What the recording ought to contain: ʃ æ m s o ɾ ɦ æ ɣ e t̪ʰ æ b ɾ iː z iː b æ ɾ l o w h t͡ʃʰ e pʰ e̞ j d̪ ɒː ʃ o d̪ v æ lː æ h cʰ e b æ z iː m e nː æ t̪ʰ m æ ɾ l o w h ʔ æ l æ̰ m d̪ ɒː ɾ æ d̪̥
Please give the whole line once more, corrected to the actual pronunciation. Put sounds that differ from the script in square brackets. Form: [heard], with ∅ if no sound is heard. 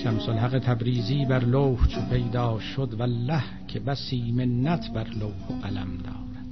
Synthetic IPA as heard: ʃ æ m s o [l] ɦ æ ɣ e t̪ʰ æ b ɾ iː z iː b æ ɾ l o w h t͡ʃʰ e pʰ e̞ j d̪ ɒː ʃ o d̪ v æ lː æ h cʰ e b æ [s] iː m e nː æ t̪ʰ [b] æ ɾ l o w h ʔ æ l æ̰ m d̪ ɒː ɾ æ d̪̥